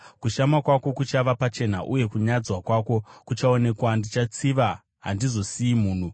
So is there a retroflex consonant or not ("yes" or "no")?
no